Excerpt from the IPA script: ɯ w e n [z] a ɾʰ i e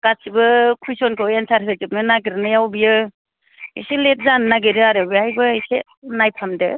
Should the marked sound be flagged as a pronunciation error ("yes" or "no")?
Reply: yes